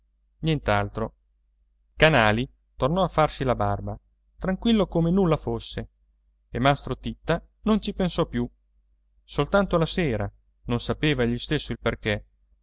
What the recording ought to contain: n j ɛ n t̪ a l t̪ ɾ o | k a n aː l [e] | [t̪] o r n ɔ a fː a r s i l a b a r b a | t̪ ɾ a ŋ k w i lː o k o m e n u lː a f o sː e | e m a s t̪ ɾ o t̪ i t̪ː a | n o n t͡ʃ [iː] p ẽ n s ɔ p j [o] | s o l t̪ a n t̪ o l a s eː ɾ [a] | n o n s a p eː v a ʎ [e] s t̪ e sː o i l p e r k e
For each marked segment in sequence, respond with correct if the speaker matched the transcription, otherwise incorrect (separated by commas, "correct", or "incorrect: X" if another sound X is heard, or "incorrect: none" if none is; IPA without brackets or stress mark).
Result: incorrect: i, correct, incorrect: i, incorrect: u, correct, incorrect: i